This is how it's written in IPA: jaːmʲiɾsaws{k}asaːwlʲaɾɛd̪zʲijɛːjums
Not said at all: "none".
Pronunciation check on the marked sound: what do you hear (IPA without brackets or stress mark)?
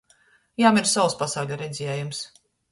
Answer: p